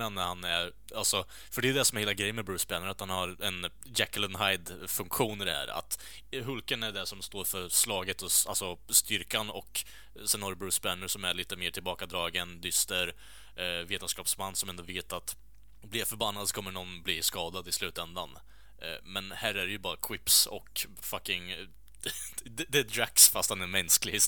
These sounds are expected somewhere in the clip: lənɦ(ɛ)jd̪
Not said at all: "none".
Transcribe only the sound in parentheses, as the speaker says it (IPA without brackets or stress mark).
a